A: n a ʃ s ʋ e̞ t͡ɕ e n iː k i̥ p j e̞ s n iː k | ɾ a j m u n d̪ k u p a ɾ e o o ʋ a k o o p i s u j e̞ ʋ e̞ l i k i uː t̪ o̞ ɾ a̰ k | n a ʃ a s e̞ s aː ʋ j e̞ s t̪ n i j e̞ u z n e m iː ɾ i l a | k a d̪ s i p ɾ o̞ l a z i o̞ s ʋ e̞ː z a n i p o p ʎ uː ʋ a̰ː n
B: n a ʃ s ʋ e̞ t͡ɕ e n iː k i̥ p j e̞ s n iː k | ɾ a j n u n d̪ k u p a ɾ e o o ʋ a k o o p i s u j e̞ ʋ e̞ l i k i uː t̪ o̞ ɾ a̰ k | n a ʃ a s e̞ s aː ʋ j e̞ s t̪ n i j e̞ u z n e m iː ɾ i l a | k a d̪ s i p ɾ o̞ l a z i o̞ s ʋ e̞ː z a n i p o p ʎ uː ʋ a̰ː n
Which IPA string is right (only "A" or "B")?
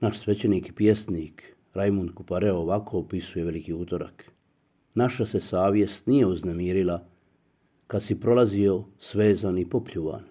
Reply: A